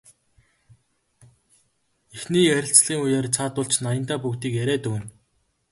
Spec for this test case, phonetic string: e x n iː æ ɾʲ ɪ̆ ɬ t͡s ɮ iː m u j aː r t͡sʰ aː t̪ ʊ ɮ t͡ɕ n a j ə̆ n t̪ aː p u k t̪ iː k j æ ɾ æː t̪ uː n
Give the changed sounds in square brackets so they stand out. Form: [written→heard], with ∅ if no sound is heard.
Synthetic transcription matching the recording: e x n iː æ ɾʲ ɪ̆ ɬ t͡s ɮ iː [m→ŋ] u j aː r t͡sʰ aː t̪ ʊ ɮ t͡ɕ n a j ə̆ n t̪ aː p u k t̪ iː k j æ ɾ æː t̪ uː n